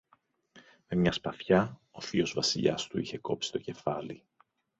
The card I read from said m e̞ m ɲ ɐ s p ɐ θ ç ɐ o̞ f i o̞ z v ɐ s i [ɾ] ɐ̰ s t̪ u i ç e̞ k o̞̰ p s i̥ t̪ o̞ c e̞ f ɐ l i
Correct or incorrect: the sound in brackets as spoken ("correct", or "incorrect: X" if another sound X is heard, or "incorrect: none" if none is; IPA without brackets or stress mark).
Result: incorrect: ʎ